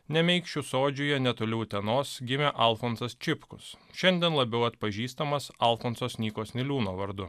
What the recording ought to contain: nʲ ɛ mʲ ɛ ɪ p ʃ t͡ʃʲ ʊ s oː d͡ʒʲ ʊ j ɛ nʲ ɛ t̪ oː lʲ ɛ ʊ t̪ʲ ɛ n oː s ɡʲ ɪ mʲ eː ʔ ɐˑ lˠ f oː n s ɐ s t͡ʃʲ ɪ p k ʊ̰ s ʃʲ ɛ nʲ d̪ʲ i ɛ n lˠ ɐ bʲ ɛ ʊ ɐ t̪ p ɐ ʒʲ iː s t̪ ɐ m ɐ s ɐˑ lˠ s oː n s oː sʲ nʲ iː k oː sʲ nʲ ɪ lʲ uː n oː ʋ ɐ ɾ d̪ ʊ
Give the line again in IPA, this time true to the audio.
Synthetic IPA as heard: nʲ ɛ mʲ ɛ ɪ k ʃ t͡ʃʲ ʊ s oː d͡ʒʲ ʊ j ɛ nʲ ɛ t̪ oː lʲ ɛ ʊ t̪ʲ ɛ n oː s ɡʲ ɪ mʲ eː ʔ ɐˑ lˠ f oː n s ɐ s t͡ʃʲ ɪ p k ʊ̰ s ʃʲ ɛ nʲ d̪ʲ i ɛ n lˠ ɐ bʲ ɛ ʊ ɐ t̪ p ɐ ʒʲ iː s t̪ ɐ m ɐ s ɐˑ lˠ f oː n s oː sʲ nʲ iː k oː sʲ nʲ ɪ lʲ uː n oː ʋ ɐ ɾ d̪ ʊ